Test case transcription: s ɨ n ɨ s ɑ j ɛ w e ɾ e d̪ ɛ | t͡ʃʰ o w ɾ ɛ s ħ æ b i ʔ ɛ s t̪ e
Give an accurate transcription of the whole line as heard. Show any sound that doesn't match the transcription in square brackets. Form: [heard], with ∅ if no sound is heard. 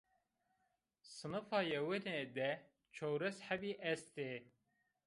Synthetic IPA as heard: s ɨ n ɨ [f] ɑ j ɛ w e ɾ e d̪ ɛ | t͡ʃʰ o w ɾ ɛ s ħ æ b i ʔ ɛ s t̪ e

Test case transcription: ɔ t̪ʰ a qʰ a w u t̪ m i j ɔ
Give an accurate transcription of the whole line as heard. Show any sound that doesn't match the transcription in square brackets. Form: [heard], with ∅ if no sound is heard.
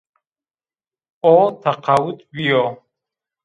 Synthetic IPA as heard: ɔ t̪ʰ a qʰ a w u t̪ [b] i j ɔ

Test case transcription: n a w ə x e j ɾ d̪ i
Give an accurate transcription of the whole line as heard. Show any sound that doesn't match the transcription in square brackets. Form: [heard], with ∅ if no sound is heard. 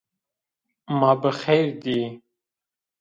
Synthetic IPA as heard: [m] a [b] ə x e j ɾ d̪ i

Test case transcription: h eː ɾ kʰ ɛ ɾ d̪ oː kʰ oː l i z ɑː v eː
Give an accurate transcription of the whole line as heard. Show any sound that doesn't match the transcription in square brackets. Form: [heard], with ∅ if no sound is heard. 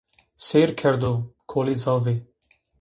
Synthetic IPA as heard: [s] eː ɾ kʰ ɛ ɾ d̪ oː kʰ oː l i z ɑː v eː

